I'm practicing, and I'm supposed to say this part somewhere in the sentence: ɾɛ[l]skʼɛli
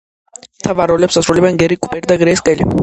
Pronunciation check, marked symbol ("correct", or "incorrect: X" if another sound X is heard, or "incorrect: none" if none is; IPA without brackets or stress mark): incorrect: none